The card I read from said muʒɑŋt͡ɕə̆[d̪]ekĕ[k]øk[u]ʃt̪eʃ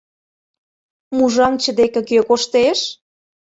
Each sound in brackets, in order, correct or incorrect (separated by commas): correct, correct, incorrect